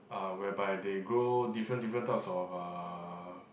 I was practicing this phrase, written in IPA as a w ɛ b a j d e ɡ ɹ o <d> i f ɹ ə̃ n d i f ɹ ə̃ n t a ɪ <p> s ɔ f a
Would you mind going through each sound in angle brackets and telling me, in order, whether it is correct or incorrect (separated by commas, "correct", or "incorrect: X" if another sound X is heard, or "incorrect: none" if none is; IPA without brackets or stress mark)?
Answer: correct, correct